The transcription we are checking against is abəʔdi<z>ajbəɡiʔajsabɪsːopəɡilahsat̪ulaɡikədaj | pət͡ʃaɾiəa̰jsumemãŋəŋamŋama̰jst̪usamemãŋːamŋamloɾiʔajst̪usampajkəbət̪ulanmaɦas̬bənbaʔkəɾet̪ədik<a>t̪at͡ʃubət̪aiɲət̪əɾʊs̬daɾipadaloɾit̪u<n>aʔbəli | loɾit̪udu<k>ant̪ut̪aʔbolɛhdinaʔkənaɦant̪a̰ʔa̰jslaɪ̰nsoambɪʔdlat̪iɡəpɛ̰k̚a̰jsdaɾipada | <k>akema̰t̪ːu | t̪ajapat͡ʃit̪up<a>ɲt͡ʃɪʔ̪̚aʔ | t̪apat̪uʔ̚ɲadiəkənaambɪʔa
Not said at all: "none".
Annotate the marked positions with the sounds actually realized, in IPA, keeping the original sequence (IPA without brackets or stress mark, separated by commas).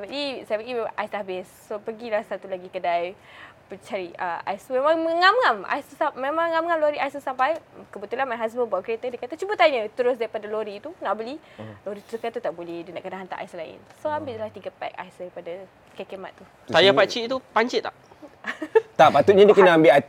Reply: s, a, n, k, k, a